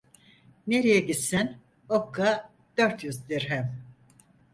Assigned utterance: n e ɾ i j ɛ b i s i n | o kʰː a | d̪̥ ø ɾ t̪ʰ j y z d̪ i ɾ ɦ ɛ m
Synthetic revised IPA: n e ɾ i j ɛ ɟ i s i n | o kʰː a | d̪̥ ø ɾ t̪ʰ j y z d̪ i ɾ ɦ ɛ m